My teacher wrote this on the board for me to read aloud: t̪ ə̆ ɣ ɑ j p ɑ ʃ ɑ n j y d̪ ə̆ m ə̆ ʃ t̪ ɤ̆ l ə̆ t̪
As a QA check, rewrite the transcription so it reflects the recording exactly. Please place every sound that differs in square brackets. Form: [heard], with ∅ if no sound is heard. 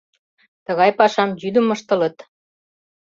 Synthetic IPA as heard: t̪ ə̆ ɣ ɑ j p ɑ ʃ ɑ [m] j y d̪ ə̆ m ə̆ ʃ t̪ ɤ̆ l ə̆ t̪